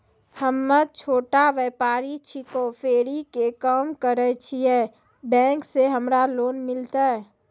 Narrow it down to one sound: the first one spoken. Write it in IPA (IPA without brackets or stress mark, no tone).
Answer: h